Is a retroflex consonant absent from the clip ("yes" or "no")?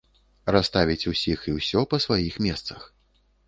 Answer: yes